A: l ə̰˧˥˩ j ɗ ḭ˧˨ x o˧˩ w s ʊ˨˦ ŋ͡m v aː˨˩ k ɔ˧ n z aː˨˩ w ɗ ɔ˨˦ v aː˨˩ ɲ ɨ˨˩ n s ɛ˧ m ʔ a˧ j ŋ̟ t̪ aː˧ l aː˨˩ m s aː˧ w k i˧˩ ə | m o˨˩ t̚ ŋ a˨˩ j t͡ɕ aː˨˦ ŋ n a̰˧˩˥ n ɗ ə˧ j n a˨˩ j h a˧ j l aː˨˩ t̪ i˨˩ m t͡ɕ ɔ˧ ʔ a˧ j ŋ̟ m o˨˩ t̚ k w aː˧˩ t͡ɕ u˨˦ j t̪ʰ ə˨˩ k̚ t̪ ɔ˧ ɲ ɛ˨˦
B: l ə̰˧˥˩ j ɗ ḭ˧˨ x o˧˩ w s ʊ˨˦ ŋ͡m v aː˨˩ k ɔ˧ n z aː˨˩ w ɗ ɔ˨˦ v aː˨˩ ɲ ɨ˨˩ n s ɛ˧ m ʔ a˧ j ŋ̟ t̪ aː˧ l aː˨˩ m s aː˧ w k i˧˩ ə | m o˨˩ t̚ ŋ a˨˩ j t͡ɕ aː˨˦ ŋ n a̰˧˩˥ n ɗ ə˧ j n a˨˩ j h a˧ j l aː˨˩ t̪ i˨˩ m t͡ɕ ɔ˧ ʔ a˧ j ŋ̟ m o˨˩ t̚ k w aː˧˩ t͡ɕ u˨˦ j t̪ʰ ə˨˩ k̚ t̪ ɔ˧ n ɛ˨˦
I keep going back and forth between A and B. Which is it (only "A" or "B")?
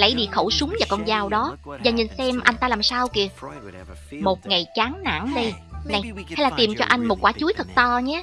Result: A